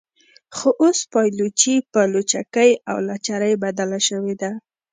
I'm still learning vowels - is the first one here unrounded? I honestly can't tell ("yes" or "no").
no